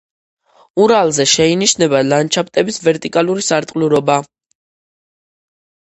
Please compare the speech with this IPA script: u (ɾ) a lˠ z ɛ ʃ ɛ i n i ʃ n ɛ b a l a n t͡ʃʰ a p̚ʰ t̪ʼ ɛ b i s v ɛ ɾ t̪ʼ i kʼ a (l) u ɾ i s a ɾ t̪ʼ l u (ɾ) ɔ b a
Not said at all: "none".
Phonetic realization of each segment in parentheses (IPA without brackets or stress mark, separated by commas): ɾ, l, ɾ